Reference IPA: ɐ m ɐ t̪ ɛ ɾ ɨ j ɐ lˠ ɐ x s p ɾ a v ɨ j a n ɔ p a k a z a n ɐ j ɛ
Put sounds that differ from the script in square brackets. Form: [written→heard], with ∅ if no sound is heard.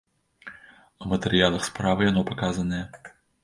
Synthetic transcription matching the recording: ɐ m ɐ t̪ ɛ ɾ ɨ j [ɐ→a] lˠ ɐ x s p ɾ a v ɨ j a n ɔ p a k a z [a→ɐ] n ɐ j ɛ

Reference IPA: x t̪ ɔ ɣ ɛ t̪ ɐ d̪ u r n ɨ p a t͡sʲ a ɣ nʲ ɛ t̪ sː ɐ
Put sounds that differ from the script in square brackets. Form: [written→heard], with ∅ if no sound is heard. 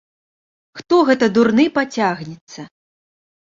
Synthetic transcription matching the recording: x t̪ ɔ ɣ ɛ t̪ ɐ d̪ u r n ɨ p a t͡sʲ a ɣ nʲ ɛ t̪ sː ɐ

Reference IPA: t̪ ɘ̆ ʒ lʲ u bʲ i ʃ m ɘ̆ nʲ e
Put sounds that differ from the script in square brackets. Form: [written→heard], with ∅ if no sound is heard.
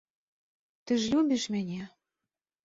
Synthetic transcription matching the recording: t̪ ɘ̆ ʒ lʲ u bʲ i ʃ m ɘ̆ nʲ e

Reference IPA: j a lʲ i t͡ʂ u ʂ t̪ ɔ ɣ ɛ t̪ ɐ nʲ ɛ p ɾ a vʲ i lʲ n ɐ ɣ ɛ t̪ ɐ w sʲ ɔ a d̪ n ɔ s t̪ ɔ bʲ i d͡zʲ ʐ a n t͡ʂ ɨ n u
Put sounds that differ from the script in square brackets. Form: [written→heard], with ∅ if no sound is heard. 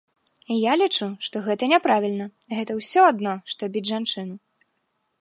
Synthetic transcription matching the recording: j a lʲ i t͡ʂ u ʂ t̪ ɔ ɣ ɛ t̪ ɐ nʲ ɛ p ɾ a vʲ i lʲ n ɐ ɣ ɛ t̪ ɐ w sʲ ɔ a d̪ n ɔ [s→ʂ] t̪ ɔ bʲ i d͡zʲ ʐ a n t͡ʂ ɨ n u

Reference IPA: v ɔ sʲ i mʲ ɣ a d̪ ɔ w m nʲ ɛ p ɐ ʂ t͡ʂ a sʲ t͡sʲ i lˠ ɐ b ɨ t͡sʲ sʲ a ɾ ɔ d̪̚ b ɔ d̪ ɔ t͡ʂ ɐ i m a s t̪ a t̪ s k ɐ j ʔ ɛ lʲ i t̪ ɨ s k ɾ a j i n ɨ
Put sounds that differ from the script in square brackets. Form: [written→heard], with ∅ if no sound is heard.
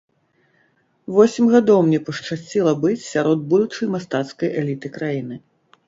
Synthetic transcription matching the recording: v ɔ sʲ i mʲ ɣ a d̪ ɔ w m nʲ ɛ p ɐ ʂ t͡ʂ a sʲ t͡sʲ i lˠ ɐ b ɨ t͡sʲ sʲ a ɾ ɔ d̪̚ b [ɔ→u] d̪ [ɔ→u] t͡ʂ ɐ [i→j] m a s t̪ a t̪ s k ɐ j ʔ ɛ lʲ i t̪ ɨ [s→∅] k ɾ a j i n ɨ

